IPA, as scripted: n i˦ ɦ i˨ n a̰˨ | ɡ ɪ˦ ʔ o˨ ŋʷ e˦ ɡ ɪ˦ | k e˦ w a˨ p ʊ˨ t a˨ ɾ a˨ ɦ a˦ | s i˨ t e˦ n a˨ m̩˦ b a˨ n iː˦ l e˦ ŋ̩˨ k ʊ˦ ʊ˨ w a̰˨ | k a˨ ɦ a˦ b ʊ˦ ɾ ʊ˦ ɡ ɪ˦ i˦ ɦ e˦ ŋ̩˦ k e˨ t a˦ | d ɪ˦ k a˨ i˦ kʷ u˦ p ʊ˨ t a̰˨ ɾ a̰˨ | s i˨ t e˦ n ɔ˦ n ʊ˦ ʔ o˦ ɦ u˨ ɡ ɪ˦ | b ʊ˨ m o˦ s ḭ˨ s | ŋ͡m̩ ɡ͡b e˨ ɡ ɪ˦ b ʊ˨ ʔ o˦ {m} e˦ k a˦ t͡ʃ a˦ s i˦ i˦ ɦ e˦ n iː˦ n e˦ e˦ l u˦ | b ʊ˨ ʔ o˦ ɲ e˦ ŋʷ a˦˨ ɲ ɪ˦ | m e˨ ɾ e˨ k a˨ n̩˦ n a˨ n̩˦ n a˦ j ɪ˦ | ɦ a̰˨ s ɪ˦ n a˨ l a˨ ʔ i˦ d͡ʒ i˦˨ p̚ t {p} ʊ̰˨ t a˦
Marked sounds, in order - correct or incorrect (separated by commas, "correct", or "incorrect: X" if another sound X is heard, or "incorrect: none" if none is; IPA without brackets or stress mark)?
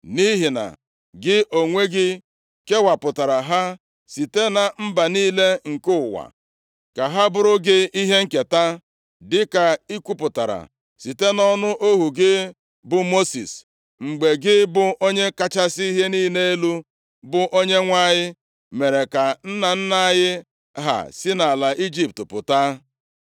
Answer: incorrect: ɲ, correct